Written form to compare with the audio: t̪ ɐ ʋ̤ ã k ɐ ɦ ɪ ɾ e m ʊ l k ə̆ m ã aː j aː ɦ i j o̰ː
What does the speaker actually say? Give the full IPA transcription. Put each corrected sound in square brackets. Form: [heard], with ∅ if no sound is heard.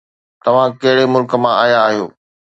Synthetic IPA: t̪ ɐ ʋ̤ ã k ɐ ɦ ɪ [ɽ] e m ʊ l k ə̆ m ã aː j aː ɦ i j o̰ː

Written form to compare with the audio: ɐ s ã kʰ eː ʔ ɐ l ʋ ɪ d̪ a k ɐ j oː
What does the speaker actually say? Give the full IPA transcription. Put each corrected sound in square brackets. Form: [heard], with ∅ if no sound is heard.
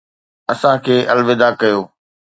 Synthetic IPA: ɐ s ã kʰ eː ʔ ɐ l ʋ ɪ d̪ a k ɐ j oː

